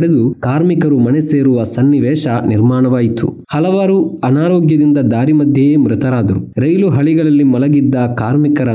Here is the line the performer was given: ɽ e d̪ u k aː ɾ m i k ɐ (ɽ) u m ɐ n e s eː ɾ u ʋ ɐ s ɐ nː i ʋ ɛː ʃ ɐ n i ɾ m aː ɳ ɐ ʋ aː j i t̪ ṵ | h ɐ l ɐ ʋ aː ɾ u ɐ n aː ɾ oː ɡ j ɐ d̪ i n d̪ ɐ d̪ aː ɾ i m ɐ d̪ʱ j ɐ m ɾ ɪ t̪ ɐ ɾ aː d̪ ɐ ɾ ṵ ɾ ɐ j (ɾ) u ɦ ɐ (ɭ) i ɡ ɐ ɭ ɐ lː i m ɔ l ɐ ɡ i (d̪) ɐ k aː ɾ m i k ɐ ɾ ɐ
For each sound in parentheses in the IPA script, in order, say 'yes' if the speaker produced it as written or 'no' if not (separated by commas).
no, no, yes, no